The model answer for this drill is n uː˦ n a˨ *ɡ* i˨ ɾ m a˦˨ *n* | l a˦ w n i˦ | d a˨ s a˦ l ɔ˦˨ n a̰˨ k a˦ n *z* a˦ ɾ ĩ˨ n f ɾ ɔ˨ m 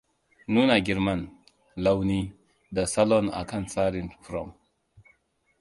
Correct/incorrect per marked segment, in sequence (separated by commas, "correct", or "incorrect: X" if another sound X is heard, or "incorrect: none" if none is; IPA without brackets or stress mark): correct, correct, incorrect: s